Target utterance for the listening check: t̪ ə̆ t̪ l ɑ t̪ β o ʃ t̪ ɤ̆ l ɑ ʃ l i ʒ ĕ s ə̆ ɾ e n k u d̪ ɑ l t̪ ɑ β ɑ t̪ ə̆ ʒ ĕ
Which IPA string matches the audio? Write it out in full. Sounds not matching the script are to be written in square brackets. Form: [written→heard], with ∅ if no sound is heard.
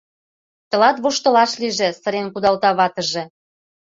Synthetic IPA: t̪ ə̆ [t̪→∅] l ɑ t̪ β o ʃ t̪ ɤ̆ l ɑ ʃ l i ʒ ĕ s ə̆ ɾ e n k u d̪ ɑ l t̪ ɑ β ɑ t̪ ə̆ ʒ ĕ